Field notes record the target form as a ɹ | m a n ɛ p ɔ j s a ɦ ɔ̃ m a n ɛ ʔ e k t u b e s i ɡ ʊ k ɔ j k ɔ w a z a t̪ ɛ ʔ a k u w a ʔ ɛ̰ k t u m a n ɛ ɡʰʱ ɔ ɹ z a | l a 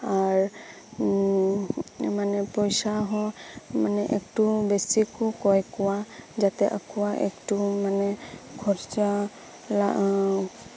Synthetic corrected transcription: a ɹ | m a n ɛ p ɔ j s a ɦ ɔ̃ m a n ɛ ʔ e k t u b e s i k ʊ k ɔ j k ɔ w a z a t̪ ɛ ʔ a k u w a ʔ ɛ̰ k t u m a n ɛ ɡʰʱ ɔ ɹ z a | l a